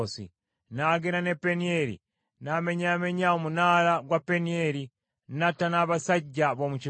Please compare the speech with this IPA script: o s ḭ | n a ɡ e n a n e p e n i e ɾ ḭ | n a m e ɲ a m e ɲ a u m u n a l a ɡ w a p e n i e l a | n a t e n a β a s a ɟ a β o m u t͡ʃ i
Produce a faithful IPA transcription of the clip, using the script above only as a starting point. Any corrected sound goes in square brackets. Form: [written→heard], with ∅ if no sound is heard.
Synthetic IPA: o s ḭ | n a ɡ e n a n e p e n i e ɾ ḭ | n a m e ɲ a m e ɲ a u m u n a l a ɡ w a p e n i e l [a→i] | n a t [e→a] n a β a s a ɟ a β o m u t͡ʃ i